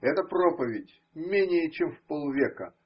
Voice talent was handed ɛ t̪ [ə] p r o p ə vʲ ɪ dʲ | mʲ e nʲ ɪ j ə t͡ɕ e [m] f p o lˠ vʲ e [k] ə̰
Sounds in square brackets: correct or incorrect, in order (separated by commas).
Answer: correct, correct, correct